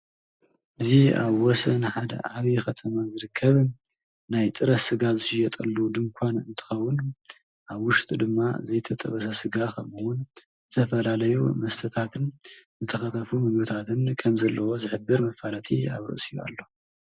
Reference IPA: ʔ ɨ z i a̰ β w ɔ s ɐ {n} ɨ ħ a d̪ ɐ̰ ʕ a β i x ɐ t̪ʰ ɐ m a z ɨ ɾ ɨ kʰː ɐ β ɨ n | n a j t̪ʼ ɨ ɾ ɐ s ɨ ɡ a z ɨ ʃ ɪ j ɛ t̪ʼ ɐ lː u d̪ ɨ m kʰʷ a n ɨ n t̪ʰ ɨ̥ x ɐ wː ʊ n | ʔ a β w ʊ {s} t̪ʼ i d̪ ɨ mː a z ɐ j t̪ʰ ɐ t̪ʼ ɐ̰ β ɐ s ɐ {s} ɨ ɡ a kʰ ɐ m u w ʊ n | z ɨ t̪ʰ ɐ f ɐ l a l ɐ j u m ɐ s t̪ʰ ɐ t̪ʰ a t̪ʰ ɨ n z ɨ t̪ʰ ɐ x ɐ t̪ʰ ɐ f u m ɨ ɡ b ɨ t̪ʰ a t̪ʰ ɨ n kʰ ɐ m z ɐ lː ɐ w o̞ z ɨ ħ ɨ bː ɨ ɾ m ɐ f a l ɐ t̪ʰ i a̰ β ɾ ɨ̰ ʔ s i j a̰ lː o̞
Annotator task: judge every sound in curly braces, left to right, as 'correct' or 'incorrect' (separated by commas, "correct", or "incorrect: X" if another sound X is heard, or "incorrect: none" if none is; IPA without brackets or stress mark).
correct, incorrect: ʃ, correct